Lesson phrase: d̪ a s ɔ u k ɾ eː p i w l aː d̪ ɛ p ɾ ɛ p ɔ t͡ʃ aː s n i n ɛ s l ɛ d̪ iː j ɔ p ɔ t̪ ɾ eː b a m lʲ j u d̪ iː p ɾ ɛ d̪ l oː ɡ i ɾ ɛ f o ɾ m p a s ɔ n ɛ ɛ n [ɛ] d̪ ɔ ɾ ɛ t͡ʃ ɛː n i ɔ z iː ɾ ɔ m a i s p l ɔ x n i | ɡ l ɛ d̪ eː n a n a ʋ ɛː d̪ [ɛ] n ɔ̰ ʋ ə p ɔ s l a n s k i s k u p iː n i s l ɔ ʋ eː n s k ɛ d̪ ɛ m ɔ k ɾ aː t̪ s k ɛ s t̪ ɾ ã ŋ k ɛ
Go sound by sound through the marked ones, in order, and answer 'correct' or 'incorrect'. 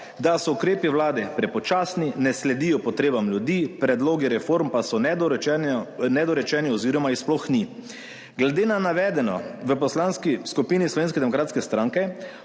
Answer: correct, correct

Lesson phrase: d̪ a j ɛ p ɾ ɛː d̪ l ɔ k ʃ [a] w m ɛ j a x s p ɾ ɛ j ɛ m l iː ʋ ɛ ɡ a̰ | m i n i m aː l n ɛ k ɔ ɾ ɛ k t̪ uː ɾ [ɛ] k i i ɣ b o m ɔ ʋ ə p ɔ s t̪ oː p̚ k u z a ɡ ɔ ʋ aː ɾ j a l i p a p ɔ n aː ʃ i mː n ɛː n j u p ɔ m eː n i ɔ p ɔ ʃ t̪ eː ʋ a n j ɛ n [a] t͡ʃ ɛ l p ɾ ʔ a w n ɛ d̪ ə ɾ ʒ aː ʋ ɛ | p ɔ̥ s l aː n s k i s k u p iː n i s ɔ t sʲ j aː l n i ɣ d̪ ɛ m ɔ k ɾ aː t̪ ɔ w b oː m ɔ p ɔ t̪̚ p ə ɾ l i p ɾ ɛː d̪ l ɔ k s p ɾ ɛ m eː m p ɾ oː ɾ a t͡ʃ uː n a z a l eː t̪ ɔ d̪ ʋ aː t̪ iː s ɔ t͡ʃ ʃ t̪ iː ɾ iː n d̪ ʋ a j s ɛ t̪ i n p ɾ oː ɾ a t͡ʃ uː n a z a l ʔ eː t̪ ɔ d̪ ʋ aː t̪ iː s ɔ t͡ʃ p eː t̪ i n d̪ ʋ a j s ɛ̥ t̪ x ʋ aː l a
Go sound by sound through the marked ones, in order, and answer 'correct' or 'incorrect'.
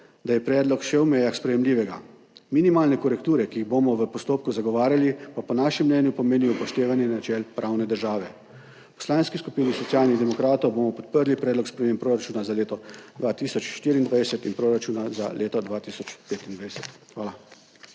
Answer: incorrect, correct, correct

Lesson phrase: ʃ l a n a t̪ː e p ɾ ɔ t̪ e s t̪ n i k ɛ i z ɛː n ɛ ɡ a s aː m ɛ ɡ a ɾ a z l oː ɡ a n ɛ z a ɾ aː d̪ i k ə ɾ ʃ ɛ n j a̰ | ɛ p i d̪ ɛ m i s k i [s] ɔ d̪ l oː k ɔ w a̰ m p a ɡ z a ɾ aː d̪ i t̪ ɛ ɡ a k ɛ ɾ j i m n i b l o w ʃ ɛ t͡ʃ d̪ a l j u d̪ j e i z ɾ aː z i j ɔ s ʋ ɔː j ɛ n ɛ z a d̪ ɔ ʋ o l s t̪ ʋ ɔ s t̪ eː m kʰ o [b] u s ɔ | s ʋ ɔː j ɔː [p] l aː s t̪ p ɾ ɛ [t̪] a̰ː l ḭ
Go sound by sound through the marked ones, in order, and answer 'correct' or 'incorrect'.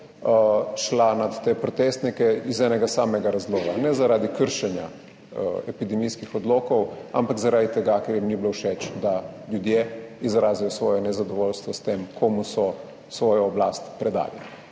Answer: incorrect, incorrect, incorrect, incorrect

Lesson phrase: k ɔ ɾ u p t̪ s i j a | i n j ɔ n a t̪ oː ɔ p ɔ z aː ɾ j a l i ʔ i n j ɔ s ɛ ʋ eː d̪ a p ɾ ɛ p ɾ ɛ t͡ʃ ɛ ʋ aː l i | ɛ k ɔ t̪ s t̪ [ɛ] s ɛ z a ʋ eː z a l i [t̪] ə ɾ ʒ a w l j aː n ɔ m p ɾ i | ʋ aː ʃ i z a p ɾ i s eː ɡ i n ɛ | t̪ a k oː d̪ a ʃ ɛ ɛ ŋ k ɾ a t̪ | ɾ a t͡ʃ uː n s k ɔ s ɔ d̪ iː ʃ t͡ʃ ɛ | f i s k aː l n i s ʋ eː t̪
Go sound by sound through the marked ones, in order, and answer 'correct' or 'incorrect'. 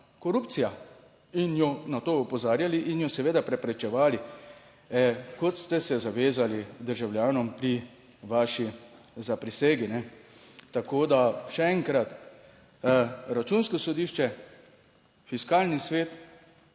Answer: correct, incorrect

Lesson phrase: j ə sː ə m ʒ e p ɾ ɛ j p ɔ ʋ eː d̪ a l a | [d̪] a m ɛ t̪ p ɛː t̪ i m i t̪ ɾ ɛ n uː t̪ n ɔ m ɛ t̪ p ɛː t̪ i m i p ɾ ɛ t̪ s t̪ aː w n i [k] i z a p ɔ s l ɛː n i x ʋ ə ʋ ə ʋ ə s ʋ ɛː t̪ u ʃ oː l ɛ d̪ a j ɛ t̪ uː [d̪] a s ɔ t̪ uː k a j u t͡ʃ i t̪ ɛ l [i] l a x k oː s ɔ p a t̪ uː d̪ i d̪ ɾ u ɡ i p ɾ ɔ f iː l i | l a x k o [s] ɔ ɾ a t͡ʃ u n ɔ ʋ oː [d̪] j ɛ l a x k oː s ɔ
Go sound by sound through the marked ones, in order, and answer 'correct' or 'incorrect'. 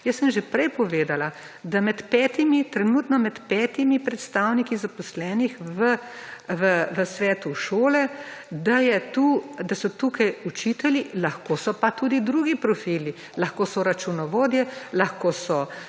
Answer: correct, correct, correct, correct, correct, correct

